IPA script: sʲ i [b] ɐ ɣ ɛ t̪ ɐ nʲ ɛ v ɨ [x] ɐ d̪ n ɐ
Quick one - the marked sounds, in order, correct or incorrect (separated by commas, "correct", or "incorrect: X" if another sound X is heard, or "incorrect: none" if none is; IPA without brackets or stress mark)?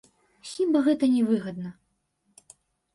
correct, incorrect: ɣ